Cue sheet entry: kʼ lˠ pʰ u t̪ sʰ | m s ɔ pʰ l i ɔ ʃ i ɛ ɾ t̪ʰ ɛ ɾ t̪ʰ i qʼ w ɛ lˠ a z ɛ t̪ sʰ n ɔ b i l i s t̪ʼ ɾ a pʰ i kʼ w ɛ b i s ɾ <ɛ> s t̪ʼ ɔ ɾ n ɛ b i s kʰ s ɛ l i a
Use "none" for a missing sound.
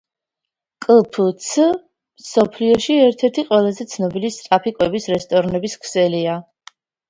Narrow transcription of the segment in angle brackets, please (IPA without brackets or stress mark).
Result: ɛ